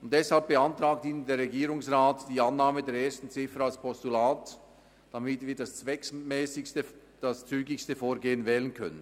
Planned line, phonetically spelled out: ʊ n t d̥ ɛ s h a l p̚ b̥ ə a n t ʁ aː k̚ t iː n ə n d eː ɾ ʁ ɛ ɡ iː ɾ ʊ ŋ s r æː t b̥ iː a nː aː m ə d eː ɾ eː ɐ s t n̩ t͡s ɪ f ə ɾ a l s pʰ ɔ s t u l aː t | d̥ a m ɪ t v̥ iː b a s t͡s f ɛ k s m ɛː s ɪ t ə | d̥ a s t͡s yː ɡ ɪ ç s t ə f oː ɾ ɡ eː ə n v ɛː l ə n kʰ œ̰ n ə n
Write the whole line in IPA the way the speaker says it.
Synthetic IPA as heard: ʊ n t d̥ ɛ s h a l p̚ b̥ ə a n t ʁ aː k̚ t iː n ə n d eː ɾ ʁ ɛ ɡ iː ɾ ʊ ŋ s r aː t d̥ iː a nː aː m ə d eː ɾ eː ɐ s t n̩ t͡s ɪ f ə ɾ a l s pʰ ɔ s t u l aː t | d̥ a m ɪ t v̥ iː d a s t͡s v ɛ k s m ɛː s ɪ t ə | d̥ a s t͡s yː ɡ ɪ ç s t ə f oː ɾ ɡ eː ə n v ɛː l ə n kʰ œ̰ n ə n